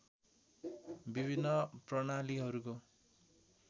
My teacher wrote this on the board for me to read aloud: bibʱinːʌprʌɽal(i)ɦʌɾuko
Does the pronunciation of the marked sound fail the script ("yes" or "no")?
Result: no